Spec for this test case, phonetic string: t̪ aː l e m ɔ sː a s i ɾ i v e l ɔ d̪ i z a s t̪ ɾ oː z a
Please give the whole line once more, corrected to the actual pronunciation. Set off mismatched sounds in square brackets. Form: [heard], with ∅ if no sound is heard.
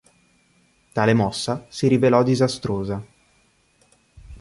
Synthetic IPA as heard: t̪ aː l e m ɔ sː a s i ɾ i v e l ɔ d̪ i z a s t̪ ɾ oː z a